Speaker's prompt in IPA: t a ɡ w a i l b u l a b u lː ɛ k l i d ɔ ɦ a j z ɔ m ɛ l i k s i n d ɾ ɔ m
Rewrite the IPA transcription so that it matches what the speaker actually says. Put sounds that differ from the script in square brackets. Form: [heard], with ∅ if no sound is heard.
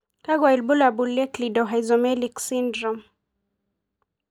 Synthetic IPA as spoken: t a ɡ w a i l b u l a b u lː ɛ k l i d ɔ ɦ a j z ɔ m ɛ l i k s i n d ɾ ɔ m